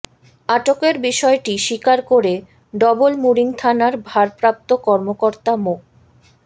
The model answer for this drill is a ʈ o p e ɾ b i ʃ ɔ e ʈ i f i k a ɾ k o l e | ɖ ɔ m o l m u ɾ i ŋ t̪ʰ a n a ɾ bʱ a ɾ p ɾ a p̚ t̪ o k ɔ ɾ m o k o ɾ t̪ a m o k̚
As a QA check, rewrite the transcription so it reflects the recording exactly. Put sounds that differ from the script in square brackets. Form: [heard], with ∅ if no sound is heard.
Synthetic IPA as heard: a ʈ o [k] e ɾ b i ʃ ɔ e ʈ i [ʃ] i k a ɾ k o [ɾ] e | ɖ ɔ [b] o l m u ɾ i ŋ t̪ʰ a n a ɾ bʱ a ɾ p ɾ a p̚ t̪ o k ɔ ɾ m o k o ɾ t̪ a m o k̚